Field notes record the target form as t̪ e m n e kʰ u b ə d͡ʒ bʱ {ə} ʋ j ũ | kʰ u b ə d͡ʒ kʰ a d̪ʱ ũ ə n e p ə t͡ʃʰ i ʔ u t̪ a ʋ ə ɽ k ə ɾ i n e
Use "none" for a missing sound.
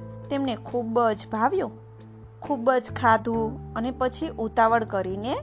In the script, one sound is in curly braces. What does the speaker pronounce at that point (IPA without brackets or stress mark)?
a